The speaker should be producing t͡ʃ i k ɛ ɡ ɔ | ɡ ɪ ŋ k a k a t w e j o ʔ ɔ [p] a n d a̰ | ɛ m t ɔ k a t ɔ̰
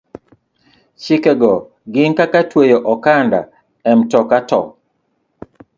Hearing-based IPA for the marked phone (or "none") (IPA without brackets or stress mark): k